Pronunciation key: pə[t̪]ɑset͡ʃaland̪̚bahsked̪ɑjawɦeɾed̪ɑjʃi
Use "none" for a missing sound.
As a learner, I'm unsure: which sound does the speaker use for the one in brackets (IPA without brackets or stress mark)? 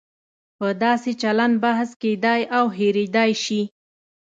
d̪